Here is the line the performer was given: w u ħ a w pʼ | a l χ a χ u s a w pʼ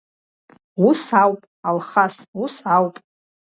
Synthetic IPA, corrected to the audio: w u s a w pʼ | a l χ a s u s a w pʼ